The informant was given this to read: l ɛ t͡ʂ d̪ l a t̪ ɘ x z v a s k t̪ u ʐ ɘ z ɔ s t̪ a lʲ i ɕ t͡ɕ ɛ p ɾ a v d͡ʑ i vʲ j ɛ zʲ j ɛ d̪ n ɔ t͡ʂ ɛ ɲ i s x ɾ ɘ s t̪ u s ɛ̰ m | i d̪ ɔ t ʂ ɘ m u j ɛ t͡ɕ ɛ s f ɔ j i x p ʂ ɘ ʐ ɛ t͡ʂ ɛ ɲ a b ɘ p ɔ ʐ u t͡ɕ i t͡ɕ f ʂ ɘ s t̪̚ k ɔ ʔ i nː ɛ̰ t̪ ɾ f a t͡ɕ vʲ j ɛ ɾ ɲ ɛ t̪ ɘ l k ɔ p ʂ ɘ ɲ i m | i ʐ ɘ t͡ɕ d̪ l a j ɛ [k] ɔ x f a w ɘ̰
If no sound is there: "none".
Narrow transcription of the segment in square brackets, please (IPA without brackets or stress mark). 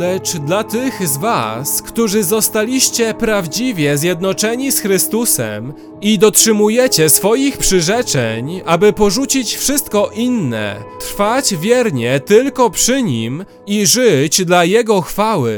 ɡ